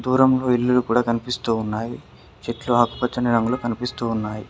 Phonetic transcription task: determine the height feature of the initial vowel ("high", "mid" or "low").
high